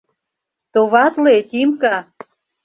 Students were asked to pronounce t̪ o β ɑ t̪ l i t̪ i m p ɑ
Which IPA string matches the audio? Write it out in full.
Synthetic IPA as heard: t̪ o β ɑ t̪ l e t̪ i m k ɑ